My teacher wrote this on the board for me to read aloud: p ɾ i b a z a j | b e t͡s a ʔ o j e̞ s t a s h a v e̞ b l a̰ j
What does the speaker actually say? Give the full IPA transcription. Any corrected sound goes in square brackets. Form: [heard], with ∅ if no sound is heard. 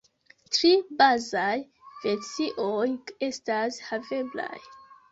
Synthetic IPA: [t] ɾ i b a z a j | [v] e t͡s [i] ʔ o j e̞ s t a s h a v e̞ b l a̰ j

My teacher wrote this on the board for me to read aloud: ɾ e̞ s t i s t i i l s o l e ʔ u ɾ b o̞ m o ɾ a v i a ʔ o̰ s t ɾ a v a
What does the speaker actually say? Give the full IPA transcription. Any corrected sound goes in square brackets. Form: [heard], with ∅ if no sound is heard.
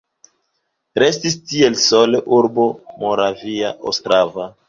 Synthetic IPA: ɾ e̞ s t i s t i [e] l s o l e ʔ u ɾ b o̞ m o ɾ a v i a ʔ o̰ s t ɾ a v a

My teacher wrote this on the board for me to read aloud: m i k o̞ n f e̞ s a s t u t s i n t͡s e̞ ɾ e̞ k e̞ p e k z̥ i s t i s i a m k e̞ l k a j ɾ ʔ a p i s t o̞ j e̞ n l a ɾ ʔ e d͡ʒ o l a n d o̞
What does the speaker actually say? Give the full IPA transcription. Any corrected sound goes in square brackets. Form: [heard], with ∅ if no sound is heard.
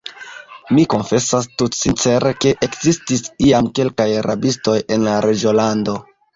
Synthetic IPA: m i k o̞ n f e̞ s a s t u t s i n t͡s e̞ ɾ e̞ k e̞ [ʔ] e k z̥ i s t i s i a m k e̞ l k a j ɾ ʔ a [b] i s t o̞ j e̞ n l a ɾ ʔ e d͡ʒ o l a n d o̞

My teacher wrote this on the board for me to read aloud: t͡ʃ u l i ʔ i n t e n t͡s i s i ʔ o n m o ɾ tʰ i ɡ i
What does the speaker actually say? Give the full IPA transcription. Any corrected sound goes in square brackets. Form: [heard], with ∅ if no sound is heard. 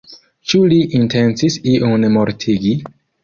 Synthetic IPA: t͡ʃ u l i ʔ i n t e n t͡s i s i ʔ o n m o ɾ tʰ i ɡ i

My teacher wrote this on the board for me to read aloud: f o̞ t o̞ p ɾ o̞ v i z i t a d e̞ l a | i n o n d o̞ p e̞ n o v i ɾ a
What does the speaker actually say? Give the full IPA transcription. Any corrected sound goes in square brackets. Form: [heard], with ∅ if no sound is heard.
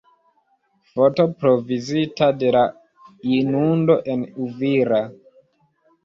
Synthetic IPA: f o̞ t o̞ p ɾ o̞ v i z i t a d e̞ l a | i n [u] n d o̞ [ʔ] e̞ n [u] v i ɾ a

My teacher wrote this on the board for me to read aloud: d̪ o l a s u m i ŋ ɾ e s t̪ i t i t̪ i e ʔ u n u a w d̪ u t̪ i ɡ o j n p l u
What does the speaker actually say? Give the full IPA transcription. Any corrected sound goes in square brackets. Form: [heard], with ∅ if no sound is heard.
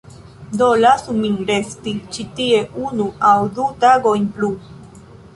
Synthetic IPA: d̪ o l a s u m i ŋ ɾ e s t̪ i [t͡ʃ] i t̪ i e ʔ u n u a w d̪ u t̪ [a] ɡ o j n p l u

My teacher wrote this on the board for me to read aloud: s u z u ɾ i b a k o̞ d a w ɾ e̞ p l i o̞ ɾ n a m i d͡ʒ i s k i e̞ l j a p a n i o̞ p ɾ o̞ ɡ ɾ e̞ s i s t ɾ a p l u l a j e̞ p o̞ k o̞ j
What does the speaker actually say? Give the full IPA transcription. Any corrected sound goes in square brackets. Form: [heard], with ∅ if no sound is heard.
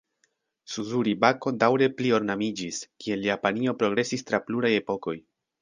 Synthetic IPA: s u z u ɾ i b a k o̞ d a w ɾ e̞ p l i o̞ ɾ n a m i d͡ʒ i s k i e̞ l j a p a n i o̞ p ɾ o̞ ɡ ɾ e̞ s i s t ɾ a p l u [ɾ] a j e̞ p o̞ k o̞ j

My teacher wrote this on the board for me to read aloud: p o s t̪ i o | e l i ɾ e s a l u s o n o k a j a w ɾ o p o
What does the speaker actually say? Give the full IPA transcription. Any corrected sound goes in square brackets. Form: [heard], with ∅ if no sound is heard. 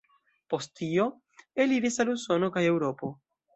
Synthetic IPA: p o s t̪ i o | e l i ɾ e s a l u s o n o k a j [e] w ɾ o p o

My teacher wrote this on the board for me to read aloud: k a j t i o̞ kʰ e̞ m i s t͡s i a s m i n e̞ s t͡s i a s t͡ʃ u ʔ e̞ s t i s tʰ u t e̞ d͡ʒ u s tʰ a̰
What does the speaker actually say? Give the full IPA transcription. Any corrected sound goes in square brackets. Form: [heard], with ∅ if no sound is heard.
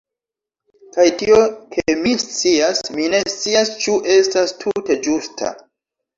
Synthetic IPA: k a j t i o̞ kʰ e̞ m i s t͡s i a s m i n e̞ s t͡s i a s t͡ʃ u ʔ e̞ s t [a] s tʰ u t e̞ d͡ʒ u s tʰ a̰

